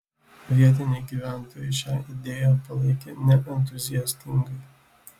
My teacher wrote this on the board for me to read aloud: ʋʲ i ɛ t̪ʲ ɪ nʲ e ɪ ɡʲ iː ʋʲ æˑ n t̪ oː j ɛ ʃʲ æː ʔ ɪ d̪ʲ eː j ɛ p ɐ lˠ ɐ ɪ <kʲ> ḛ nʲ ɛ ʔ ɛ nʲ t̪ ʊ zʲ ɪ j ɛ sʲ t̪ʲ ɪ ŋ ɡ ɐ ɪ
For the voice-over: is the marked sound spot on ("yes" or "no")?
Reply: yes